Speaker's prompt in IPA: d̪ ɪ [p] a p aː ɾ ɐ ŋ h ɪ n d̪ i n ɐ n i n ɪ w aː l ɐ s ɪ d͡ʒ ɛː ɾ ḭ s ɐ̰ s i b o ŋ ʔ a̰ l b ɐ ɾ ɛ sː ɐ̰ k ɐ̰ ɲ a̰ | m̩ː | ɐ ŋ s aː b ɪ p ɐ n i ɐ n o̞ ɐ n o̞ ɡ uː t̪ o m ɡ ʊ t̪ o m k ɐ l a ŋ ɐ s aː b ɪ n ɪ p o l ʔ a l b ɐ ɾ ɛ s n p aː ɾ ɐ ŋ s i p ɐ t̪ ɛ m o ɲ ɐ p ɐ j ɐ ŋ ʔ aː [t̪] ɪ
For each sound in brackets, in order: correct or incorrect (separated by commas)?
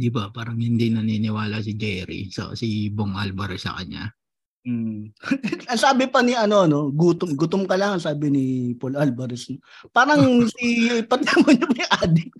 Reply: incorrect, incorrect